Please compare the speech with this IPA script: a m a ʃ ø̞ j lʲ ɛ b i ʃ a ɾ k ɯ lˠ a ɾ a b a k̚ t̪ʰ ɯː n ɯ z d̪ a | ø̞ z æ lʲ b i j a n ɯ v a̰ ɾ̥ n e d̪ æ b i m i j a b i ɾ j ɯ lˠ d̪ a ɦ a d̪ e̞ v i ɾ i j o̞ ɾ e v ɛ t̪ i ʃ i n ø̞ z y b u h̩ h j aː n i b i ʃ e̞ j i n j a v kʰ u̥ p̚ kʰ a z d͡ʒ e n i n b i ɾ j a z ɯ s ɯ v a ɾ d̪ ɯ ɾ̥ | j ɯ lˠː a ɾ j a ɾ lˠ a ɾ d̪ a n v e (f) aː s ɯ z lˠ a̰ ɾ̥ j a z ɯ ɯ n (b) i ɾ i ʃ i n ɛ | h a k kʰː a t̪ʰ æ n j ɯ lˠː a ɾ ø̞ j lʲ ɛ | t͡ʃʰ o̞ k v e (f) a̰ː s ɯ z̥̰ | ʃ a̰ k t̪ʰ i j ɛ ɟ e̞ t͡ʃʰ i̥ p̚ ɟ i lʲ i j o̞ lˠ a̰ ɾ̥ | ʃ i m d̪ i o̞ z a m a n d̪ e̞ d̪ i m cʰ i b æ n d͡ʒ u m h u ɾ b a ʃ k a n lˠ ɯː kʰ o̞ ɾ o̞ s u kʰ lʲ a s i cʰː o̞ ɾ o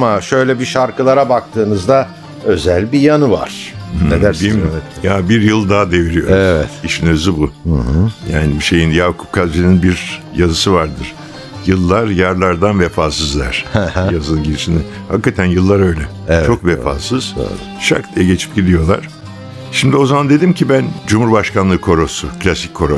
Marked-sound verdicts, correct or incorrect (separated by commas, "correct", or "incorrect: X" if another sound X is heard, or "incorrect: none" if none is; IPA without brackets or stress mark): correct, incorrect: ɟ, correct